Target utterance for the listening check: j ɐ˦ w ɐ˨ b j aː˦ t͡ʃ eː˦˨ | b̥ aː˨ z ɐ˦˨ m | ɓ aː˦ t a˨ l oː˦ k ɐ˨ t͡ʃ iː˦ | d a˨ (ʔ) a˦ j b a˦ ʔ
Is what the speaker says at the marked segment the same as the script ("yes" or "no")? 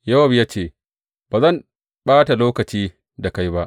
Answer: no